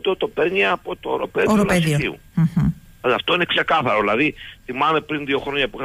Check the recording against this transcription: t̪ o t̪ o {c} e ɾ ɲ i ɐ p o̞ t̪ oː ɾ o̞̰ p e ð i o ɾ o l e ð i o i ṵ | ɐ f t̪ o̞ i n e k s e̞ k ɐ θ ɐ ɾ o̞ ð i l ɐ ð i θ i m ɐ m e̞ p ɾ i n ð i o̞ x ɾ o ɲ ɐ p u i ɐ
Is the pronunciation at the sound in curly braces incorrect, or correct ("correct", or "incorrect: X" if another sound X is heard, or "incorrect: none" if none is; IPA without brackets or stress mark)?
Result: incorrect: p